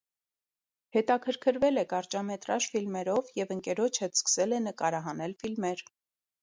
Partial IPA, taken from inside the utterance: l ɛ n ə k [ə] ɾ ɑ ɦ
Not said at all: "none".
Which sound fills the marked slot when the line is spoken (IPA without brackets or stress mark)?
ɑ